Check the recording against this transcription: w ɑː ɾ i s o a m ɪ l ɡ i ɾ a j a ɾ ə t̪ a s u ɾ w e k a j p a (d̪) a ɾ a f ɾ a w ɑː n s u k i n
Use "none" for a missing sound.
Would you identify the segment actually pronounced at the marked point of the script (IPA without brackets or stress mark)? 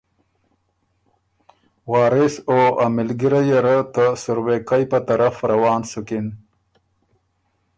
t̪